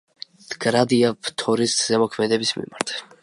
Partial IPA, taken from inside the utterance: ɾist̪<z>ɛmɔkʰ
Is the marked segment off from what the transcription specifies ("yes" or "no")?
no